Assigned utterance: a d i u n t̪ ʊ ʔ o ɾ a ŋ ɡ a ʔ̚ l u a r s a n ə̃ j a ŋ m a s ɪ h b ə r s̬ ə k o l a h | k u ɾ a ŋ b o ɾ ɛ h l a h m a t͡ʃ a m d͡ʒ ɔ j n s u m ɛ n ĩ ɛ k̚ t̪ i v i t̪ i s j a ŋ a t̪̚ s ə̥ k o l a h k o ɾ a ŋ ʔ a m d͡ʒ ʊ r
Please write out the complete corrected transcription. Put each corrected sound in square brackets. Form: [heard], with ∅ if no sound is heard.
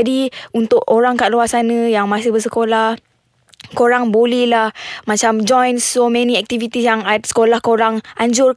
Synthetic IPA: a d i u n t̪ ʊ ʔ o ɾ a ŋ [k] a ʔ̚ l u a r s a n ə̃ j a ŋ m a s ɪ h b ə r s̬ ə k o l a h | k [o] ɾ a ŋ b o [l] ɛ h l a h m a t͡ʃ a m d͡ʒ ɔ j n s [o] m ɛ n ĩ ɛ k̚ t̪ i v i t̪ i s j a ŋ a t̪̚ s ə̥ k o l a h k o ɾ a ŋ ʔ a [ɲ] d͡ʒ ʊ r